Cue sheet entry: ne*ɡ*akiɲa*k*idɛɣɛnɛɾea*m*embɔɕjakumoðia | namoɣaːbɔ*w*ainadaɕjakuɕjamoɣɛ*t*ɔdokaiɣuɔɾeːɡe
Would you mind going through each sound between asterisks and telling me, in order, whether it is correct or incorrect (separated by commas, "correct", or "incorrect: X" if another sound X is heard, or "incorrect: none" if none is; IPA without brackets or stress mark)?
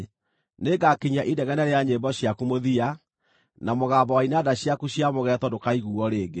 correct, incorrect: ʔ, incorrect: ɲ, correct, correct